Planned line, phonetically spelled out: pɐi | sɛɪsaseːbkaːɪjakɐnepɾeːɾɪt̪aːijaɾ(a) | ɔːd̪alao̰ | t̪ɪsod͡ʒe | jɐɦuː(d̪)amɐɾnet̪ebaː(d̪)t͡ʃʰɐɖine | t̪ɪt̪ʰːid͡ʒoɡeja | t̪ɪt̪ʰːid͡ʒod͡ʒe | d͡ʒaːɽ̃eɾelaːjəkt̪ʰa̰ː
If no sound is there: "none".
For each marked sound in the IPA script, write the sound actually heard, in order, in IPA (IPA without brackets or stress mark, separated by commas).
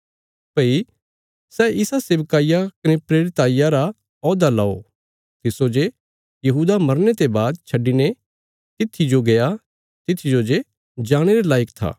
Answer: a, d̪, d̪